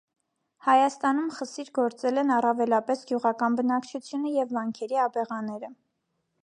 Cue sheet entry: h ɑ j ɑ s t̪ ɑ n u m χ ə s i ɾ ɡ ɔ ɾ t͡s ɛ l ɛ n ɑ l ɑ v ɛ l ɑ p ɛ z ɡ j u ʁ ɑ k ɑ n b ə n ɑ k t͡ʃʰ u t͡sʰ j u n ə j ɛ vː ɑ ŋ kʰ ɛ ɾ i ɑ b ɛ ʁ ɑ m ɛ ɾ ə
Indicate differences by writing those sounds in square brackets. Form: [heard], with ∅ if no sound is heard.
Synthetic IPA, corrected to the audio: h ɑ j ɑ s t̪ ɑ n u m χ ə s i ɾ ɡ ɔ ɾ t͡s ɛ l ɛ n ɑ [r] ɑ v ɛ l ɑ p ɛ [s] ɡ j u ʁ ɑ k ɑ n b ə n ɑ k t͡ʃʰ u t͡sʰ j u n ə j ɛ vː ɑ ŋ kʰ ɛ ɾ i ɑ b ɛ ʁ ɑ [n] ɛ ɾ ə